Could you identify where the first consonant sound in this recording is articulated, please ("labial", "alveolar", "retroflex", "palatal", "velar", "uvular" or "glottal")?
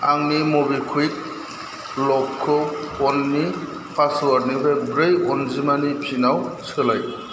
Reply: velar